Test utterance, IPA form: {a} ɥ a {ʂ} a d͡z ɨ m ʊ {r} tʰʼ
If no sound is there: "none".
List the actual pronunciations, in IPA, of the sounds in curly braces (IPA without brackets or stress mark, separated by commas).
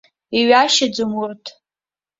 i, ʃ, r